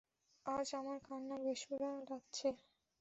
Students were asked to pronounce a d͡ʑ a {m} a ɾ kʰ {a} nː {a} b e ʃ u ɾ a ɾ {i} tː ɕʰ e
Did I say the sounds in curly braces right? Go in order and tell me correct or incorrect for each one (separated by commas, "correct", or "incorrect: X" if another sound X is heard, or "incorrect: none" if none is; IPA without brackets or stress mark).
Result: correct, correct, correct, incorrect: a